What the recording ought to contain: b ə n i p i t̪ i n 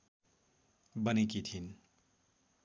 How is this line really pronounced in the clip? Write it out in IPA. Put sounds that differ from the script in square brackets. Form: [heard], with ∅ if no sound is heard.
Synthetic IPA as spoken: b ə n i [k] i [t̪ʰ] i n